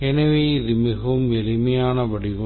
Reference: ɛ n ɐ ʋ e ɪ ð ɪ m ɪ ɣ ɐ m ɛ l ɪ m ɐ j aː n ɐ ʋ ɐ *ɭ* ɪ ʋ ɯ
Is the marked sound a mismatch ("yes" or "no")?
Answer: yes